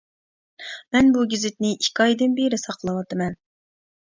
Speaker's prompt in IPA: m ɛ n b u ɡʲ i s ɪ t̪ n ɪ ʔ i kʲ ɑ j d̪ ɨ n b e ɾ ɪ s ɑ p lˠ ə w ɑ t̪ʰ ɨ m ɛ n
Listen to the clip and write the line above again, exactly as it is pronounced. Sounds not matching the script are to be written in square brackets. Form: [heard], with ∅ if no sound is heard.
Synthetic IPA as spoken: m ɛ n b u ɡʲ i [z] ɪ t̪ n ɪ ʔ i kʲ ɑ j d̪ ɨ n b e ɾ ɪ s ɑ [q] lˠ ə w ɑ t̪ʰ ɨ m ɛ n